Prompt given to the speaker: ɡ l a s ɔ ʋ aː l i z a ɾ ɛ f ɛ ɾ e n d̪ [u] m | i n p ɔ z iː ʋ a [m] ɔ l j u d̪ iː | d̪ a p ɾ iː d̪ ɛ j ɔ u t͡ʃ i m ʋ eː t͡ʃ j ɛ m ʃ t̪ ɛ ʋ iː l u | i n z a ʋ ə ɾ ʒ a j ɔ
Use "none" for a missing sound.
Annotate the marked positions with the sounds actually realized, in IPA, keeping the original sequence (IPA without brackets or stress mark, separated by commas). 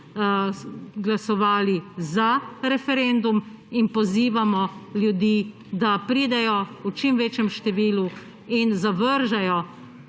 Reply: u, m